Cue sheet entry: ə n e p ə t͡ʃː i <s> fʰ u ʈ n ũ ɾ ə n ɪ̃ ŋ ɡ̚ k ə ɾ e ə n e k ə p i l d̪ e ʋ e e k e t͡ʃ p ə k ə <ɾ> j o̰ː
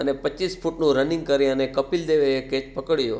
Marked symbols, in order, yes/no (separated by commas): yes, no